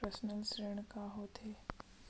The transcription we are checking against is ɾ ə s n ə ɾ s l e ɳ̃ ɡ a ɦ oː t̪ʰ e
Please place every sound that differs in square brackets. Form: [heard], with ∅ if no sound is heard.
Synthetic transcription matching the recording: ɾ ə s n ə [l] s [ɾ] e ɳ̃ [k] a ɦ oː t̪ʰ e